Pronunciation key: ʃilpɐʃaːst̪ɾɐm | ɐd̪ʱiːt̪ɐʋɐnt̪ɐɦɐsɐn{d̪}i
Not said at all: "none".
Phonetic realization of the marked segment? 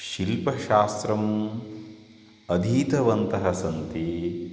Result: t̪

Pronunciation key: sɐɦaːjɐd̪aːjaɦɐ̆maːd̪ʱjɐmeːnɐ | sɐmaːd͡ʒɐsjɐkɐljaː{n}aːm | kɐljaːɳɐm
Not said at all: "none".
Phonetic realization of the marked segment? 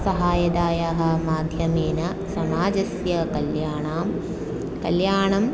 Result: ɳ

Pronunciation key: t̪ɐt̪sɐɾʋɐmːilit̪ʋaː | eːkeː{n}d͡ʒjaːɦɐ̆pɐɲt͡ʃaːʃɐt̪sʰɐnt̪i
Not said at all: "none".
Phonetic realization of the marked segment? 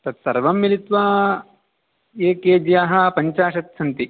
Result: none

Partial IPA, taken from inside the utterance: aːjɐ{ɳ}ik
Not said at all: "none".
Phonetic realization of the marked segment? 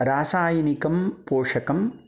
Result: n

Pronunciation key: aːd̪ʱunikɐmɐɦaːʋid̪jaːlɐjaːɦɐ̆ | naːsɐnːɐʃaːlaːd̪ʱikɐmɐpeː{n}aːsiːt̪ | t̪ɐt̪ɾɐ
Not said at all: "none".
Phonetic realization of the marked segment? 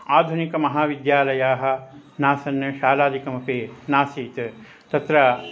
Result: n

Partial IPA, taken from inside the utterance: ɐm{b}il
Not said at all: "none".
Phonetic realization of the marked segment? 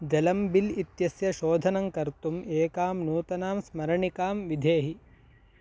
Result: b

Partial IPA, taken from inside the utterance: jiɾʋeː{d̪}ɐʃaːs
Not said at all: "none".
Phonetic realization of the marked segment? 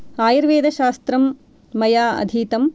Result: d̪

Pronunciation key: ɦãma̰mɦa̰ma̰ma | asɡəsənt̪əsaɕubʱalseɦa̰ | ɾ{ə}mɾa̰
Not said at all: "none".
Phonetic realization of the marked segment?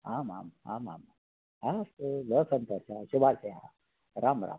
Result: a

